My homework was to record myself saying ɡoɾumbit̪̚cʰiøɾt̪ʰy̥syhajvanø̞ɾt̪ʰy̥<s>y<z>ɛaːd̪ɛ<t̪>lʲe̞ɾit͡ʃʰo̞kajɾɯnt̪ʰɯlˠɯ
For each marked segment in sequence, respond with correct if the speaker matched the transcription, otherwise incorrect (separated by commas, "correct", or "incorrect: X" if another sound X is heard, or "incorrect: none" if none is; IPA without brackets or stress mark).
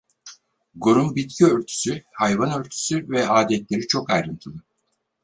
correct, incorrect: v, correct